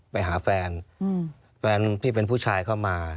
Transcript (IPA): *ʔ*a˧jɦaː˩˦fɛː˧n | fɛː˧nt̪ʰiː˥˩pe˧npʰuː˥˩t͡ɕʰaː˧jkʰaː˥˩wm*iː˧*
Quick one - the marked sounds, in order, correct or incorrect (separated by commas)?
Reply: incorrect, incorrect